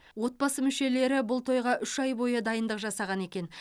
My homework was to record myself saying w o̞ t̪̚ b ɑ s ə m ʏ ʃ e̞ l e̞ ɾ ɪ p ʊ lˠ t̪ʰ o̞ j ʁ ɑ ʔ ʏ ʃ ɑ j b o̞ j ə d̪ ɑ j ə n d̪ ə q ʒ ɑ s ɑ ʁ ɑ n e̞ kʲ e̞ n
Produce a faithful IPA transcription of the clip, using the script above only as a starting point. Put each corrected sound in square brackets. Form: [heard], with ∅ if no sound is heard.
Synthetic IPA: w o̞ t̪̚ b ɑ s ə m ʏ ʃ e̞ l e̞ ɾ ɪ [b] ʊ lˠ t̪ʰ o̞ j ʁ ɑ ʔ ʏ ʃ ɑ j b o̞ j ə d̪ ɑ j ə n d̪ ə q ʒ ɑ s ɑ ʁ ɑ n e̞ kʲ e̞ n